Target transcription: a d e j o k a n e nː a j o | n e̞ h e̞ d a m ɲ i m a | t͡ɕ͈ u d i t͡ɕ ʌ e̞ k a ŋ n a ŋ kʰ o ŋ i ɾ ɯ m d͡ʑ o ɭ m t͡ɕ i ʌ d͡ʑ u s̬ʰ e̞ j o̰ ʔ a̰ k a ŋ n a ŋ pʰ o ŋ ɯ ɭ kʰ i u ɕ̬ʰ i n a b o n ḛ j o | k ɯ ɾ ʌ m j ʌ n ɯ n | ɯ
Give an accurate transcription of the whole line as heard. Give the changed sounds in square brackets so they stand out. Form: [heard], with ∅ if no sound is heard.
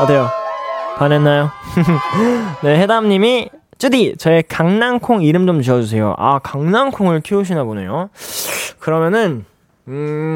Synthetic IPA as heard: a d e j o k a n e nː a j o | n e̞ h e̞ d a m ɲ i m [i] | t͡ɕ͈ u d i t͡ɕ ʌ e̞ k a ŋ n a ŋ kʰ o ŋ i ɾ ɯ m d͡ʑ o [∅] m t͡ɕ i ʌ d͡ʑ u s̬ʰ e̞ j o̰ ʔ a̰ k a ŋ n a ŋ [kʰ] o ŋ ɯ ɭ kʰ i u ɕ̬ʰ i n a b o n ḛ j o | k ɯ ɾ ʌ m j ʌ n ɯ n | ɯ